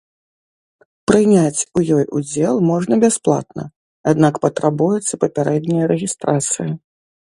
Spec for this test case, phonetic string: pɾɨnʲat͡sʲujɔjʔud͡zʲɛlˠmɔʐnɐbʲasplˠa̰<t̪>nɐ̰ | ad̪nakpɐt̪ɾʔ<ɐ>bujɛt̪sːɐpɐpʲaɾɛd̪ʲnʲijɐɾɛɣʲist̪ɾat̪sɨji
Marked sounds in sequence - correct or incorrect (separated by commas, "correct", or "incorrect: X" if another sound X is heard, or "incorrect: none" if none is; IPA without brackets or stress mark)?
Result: correct, incorrect: a